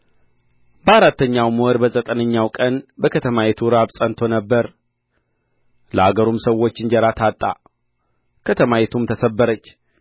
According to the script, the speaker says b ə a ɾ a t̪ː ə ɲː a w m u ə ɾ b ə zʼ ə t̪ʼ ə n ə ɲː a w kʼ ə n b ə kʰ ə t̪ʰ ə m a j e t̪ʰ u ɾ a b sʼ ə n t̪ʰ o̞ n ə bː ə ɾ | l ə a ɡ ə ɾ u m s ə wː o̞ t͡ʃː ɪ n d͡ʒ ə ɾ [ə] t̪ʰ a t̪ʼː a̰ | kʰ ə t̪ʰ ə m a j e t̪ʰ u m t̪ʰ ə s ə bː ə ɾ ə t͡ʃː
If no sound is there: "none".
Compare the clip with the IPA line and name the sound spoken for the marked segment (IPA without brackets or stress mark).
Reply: a